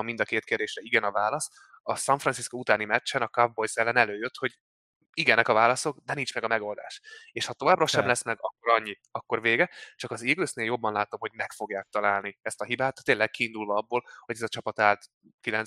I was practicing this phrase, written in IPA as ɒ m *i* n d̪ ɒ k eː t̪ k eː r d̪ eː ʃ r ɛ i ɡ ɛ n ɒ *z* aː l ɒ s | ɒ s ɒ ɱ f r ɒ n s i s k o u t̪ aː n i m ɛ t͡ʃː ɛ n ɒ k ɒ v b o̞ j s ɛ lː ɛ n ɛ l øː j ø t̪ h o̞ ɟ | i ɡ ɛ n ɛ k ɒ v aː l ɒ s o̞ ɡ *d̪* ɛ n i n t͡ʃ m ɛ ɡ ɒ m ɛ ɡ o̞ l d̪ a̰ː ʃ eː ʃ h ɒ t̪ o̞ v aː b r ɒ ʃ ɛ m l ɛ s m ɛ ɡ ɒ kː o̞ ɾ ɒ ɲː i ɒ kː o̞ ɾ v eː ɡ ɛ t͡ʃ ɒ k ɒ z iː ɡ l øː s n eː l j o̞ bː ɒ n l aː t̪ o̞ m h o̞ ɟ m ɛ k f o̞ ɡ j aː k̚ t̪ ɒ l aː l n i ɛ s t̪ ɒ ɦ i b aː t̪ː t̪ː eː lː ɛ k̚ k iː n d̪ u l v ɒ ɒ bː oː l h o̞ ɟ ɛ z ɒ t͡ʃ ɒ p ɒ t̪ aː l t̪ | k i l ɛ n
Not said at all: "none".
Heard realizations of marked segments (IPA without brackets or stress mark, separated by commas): i, v, d̪